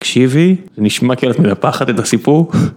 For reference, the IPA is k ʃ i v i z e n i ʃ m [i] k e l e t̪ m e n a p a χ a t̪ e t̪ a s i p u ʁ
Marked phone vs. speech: incorrect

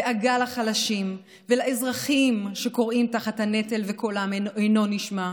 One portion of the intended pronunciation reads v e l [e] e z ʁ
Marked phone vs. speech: incorrect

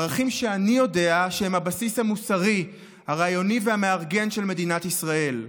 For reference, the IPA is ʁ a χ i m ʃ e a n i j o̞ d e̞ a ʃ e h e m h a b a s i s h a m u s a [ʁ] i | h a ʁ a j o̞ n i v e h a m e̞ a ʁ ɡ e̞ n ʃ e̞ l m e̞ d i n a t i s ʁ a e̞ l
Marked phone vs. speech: correct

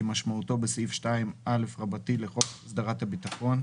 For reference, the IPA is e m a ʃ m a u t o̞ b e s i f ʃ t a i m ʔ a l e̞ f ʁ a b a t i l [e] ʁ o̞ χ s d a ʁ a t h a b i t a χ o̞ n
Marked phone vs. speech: correct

